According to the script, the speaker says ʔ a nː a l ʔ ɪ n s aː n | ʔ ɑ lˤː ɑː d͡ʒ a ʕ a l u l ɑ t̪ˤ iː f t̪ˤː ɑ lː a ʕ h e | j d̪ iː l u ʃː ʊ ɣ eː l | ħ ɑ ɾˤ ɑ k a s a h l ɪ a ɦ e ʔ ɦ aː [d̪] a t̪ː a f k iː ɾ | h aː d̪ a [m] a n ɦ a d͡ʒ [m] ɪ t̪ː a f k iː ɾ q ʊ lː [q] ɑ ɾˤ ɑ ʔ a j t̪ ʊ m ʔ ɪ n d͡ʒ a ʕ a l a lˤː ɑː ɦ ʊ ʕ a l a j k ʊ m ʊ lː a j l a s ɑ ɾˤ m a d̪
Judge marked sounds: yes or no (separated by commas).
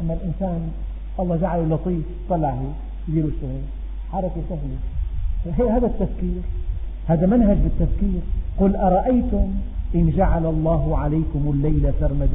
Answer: yes, yes, no, no